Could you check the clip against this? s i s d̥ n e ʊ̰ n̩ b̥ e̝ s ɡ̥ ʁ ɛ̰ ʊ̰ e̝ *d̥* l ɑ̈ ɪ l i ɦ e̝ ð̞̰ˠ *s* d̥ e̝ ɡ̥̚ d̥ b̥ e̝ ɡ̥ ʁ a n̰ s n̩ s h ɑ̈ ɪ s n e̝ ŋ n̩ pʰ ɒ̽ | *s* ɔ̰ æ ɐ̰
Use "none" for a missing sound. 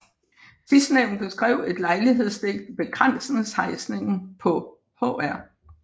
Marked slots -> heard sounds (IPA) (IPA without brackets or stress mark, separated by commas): d̥, s, h